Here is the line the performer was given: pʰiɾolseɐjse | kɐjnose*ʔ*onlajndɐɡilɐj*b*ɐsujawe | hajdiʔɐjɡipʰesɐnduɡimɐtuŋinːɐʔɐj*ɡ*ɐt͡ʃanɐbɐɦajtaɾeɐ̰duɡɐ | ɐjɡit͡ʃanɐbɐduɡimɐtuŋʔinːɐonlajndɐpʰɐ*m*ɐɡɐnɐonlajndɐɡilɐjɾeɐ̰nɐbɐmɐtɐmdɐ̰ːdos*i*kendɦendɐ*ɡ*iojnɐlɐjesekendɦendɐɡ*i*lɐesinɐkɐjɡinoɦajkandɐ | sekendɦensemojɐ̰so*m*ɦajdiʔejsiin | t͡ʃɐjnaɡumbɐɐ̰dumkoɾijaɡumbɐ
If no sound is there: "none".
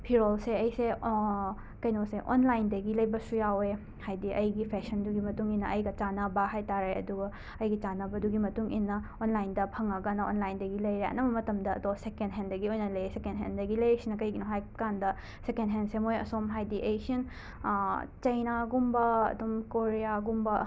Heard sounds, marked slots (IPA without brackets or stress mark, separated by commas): ʔ, b, ɡ, ŋ, e, ɡ, i, m